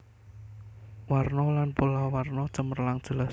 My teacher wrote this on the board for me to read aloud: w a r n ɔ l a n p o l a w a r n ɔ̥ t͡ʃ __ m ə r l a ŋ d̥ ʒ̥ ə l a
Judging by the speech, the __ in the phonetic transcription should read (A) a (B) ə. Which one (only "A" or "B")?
B